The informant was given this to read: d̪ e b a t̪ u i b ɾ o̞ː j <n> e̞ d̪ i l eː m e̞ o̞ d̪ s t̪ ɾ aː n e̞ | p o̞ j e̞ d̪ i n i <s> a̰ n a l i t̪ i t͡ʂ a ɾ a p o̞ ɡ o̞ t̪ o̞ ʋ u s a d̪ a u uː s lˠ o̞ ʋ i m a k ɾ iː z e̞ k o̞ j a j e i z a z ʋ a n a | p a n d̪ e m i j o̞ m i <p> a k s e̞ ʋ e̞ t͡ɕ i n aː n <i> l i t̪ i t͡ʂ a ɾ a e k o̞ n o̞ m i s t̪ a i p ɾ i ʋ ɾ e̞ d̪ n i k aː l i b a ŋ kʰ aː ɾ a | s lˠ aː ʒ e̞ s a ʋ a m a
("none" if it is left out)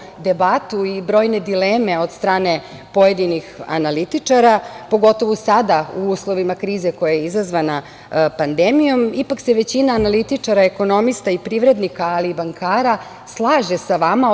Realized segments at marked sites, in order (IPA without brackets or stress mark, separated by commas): n, x, p, a